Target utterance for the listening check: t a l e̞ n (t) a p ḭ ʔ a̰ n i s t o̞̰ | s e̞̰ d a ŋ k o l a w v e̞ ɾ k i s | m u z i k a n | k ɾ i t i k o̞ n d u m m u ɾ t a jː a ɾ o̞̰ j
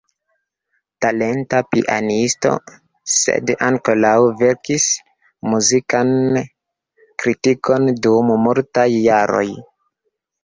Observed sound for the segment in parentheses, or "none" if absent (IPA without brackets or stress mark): t